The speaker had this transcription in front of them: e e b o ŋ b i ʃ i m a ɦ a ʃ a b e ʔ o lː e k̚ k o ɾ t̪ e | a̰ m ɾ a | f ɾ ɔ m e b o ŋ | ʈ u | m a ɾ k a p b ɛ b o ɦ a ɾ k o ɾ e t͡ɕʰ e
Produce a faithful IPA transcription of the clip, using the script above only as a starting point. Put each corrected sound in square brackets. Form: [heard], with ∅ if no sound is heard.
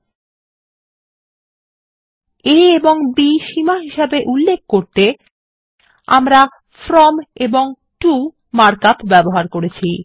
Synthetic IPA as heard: e e b o ŋ b i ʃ i m a ɦ [i] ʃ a b e ʔ [u] lː e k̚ k o ɾ t̪ e | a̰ m ɾ a | f ɾ ɔ m e b o ŋ | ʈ u | m a ɾ k a p b ɛ b o ɦ a ɾ k o ɾ e t͡ɕʰ [i]